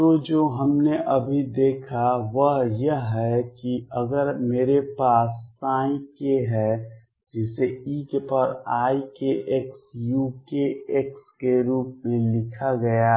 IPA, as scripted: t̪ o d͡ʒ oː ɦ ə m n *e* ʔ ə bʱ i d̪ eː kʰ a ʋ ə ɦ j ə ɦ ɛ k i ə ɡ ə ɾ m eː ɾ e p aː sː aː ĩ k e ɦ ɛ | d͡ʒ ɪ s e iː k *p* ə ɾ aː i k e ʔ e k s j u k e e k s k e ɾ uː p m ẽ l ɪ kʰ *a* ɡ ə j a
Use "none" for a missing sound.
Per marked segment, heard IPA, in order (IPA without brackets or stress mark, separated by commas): e, p, a